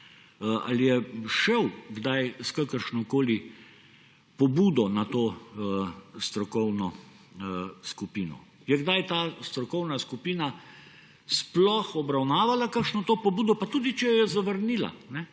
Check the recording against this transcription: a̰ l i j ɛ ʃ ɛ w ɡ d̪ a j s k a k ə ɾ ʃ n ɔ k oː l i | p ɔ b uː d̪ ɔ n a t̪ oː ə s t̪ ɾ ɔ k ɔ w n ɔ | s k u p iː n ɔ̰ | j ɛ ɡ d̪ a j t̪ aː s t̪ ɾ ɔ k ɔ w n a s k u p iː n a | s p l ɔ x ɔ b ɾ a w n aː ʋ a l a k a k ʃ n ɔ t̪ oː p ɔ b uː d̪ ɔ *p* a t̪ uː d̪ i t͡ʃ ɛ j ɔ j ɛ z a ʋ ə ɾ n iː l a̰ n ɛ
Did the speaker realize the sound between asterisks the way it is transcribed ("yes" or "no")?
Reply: yes